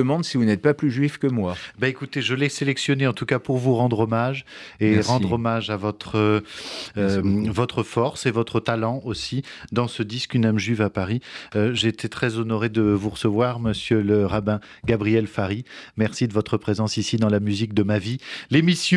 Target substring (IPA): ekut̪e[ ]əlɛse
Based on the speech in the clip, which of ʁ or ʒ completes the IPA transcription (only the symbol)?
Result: ʒ